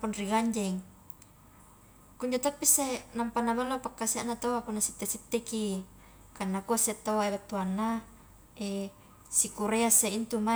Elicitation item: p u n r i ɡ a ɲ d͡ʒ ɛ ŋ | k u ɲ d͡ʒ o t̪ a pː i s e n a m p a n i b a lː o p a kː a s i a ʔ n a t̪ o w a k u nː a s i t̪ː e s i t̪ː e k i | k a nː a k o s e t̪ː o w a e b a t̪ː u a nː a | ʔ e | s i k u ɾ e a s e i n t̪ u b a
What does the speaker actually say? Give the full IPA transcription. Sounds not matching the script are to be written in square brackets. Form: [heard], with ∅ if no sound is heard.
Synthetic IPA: p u n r i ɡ a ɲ d͡ʒ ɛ ŋ | k u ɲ d͡ʒ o t̪ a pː i s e n a m p a n [a] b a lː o p a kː a s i a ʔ n a t̪ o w a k u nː a s i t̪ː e s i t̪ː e k i | k a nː a k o s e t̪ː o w a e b a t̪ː u a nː a | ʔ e | s i k u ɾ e a s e i n t̪ u [m] a